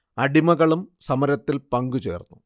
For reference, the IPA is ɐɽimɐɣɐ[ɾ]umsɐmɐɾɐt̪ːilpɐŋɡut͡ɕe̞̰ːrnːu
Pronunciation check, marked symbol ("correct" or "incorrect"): incorrect